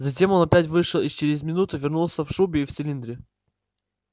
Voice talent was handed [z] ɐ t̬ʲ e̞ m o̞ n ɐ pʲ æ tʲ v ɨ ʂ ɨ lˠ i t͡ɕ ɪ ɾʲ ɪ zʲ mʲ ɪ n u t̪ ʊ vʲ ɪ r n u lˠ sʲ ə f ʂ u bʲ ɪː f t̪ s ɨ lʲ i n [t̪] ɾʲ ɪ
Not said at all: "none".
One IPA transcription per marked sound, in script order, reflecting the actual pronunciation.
z, d̪

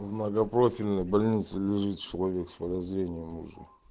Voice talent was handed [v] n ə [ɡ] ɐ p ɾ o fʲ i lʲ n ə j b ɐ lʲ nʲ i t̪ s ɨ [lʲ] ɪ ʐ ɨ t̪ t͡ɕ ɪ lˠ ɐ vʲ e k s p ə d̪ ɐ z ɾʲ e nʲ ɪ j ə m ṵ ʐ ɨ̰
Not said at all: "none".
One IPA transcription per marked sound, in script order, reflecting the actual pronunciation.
v, ɡ, lʲ

